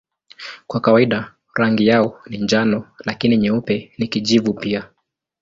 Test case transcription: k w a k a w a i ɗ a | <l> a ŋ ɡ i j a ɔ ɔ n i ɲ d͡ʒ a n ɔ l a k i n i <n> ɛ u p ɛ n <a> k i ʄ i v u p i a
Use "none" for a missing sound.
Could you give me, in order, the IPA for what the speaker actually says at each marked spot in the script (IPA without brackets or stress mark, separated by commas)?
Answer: ɾ, ɲ, i